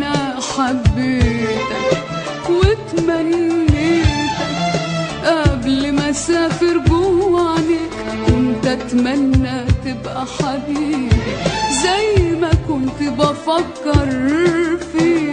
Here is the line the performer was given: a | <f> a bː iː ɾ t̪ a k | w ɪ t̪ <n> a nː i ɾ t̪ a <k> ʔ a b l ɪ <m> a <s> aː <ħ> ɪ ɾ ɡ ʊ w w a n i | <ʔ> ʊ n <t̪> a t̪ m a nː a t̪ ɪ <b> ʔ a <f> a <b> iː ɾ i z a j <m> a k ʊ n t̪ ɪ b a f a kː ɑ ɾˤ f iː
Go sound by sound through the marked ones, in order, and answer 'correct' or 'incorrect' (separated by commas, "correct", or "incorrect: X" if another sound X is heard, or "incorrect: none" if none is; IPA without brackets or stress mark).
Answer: incorrect: ħ, incorrect: m, correct, correct, correct, incorrect: f, incorrect: k, correct, correct, incorrect: ħ, correct, correct